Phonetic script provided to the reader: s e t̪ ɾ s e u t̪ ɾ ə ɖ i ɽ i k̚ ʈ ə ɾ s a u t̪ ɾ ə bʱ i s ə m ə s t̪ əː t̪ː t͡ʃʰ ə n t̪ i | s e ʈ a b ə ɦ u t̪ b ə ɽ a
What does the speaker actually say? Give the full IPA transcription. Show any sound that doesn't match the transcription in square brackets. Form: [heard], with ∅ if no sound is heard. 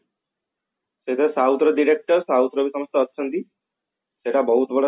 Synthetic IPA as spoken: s e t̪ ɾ s [a] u t̪ ɾ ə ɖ i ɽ [e] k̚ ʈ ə ɾ s a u t̪ ɾ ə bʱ i s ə m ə s t̪ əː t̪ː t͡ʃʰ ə n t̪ i | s e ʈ a b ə ɦ u t̪ b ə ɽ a